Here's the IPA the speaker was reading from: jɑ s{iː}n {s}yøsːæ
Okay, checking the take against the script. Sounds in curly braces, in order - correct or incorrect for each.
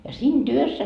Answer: correct, incorrect: t

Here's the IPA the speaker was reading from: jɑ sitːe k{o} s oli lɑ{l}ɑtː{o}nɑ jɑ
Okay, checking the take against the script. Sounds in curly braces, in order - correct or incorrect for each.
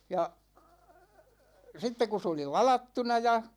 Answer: incorrect: u, correct, incorrect: u

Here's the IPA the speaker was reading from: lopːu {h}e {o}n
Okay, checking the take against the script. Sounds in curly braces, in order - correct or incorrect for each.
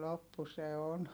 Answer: incorrect: s, correct

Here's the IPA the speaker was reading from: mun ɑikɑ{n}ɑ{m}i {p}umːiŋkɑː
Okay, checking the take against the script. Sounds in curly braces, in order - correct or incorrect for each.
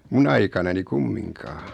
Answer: correct, incorrect: n, incorrect: k

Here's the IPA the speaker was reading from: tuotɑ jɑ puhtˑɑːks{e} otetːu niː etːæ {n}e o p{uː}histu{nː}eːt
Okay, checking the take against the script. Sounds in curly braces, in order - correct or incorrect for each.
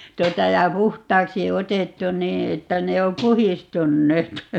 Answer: incorrect: i, correct, incorrect: u, correct

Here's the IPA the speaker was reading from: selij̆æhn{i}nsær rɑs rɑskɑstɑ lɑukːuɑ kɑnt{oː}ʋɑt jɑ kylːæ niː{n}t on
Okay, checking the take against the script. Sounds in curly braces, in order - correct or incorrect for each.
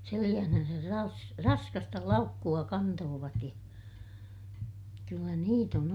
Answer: incorrect: æ, correct, incorrect: none

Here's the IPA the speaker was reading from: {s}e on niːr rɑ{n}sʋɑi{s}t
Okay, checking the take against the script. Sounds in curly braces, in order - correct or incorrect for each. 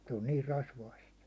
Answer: correct, incorrect: none, correct

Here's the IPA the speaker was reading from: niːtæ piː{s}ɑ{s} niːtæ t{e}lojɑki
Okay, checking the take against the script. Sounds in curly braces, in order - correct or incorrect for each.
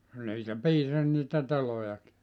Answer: correct, correct, correct

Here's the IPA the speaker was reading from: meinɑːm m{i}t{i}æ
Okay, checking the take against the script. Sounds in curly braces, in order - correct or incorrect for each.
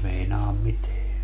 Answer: correct, incorrect: e

